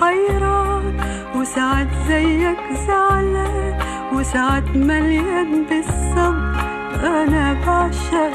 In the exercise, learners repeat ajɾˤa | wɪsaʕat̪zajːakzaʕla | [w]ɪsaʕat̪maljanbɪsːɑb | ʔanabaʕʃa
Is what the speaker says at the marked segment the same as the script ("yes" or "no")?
yes